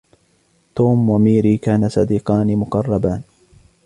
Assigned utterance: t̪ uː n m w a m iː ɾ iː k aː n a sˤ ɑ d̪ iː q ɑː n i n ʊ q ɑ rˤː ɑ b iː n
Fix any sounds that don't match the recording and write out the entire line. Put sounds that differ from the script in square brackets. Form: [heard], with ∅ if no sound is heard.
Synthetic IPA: t̪ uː [∅] m w a m iː ɾ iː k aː n a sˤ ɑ d̪ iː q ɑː n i [m] ʊ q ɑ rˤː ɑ b [aː] n